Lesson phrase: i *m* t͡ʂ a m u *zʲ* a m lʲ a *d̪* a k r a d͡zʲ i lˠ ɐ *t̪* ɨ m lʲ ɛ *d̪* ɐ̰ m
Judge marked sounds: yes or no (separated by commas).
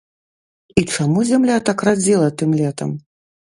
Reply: no, yes, no, yes, no